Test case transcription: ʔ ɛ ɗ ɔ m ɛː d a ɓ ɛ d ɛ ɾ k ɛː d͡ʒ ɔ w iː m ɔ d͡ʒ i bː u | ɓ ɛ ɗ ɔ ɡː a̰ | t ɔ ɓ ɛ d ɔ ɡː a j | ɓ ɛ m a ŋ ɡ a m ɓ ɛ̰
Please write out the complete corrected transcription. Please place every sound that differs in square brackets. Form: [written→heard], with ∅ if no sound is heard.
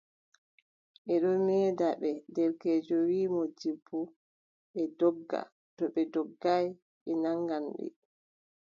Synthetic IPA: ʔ ɛ ɗ ɔ m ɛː d a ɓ ɛ d ɛ ɾ k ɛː d͡ʒ ɔ w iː m ɔ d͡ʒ i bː u | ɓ ɛ [ɗ→d] ɔ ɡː a̰ | t ɔ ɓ ɛ d ɔ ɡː a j | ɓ ɛ [m→n] a ŋ ɡ a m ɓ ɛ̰